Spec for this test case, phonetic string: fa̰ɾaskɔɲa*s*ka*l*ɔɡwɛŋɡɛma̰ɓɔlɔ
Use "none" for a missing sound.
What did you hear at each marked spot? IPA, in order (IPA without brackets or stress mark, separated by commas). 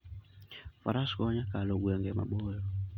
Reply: none, l